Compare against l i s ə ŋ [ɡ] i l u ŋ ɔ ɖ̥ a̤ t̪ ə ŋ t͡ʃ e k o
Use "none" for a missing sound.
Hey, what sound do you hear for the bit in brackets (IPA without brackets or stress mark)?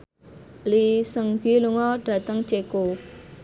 ɡ